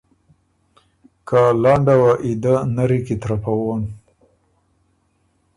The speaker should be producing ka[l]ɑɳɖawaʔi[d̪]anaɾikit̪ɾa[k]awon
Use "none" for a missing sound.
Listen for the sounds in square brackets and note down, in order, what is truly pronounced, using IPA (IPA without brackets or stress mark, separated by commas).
l, d̪, p